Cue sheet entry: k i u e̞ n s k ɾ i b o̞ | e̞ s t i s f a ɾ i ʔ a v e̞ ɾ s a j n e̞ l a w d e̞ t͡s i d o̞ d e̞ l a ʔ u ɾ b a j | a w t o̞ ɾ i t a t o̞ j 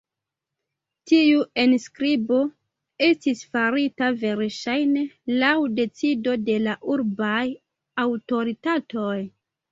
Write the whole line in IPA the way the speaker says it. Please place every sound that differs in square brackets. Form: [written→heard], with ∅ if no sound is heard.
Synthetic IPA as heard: [k→t] i u e̞ n s k ɾ i b o̞ | e̞ s t i s f a ɾ i [ʔ→t] a v e̞ ɾ [s→ʃ] a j n e̞ l a w d e̞ t͡s i d o̞ d e̞ l a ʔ u ɾ b a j | a w t o̞ ɾ i t a t o̞ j